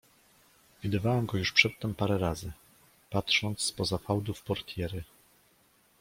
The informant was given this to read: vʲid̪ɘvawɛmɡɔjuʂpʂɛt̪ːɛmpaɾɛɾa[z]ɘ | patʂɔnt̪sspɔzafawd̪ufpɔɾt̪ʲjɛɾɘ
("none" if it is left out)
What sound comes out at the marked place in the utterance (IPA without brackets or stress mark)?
z